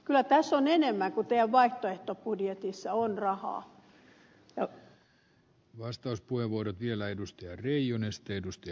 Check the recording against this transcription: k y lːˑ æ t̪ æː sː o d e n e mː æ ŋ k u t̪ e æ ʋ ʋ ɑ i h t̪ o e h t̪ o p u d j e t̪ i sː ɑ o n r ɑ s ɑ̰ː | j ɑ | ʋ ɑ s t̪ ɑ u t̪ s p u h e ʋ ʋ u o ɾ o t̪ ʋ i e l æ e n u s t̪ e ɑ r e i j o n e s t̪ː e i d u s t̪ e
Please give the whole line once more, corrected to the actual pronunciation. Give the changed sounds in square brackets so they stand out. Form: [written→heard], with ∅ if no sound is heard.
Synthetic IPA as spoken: k y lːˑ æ t̪ [æː→æ] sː o [d→n] e n e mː æ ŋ k u t̪ e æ ʋ ʋ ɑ i h t̪ o e h t̪ o p u d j e t̪ i sː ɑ o n r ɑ [s→h] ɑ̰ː | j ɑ | ʋ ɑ s t̪ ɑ u [t̪→∅] s p u h e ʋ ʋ u o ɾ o t̪ ʋ i e l æ e [n→d] u s t̪ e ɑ r e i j o n e s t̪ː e [i→e] d u s t̪ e